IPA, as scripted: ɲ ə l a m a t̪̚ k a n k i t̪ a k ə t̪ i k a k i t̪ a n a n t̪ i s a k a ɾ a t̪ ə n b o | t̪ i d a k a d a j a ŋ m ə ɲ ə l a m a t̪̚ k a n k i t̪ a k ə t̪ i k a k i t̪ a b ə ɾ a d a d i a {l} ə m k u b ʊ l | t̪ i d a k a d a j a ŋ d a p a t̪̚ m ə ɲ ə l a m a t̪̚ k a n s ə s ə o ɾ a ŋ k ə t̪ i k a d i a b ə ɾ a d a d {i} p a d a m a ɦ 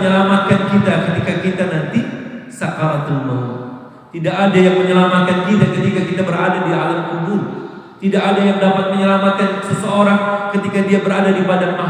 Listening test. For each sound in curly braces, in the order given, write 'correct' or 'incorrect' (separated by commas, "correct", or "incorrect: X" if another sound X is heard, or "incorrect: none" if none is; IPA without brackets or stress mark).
correct, correct